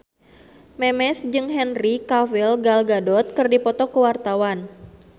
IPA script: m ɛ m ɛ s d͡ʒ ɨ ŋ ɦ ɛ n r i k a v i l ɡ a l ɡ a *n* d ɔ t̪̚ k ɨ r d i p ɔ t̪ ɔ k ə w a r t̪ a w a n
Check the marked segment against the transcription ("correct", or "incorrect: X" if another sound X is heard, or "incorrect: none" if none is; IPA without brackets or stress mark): incorrect: none